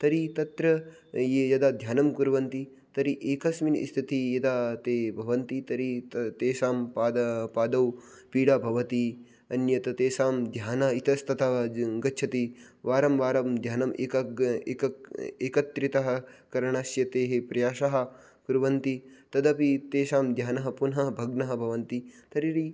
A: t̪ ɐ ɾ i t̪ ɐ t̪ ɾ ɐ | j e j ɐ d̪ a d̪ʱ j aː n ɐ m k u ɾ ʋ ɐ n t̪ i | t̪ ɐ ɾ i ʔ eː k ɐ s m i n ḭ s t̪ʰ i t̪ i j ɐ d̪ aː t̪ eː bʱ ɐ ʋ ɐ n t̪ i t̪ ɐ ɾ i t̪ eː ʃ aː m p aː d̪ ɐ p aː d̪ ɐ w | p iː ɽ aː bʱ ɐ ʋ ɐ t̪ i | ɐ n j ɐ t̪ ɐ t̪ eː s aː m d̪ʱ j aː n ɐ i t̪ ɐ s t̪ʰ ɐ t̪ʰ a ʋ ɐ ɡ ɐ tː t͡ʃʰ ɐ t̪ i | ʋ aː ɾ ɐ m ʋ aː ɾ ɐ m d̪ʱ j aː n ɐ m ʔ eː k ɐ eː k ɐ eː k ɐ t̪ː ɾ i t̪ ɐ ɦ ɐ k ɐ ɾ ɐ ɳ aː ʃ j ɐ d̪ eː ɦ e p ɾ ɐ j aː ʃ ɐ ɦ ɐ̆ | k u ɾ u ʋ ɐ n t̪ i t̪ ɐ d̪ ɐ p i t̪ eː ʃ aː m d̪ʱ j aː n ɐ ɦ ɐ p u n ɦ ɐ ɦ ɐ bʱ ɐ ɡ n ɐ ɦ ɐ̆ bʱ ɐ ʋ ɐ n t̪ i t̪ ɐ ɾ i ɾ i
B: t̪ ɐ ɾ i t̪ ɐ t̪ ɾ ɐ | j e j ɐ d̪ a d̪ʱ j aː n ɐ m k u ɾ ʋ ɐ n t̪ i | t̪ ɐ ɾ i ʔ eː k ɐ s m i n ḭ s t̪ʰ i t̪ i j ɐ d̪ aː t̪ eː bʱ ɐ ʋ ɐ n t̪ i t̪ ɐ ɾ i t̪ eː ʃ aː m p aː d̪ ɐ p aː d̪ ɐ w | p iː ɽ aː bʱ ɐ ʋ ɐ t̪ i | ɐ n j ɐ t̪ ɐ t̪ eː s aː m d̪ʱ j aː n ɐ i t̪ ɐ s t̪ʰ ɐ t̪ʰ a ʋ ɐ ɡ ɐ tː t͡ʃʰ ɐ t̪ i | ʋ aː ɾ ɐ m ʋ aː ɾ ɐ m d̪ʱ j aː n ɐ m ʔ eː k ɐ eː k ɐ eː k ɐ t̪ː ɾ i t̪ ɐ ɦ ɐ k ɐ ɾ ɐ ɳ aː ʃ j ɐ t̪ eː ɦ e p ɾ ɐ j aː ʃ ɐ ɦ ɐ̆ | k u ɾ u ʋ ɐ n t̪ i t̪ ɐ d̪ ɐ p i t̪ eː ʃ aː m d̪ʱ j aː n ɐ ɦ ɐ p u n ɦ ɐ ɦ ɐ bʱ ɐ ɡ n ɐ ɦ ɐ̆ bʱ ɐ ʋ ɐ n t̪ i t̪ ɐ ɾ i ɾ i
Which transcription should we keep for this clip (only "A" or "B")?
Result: B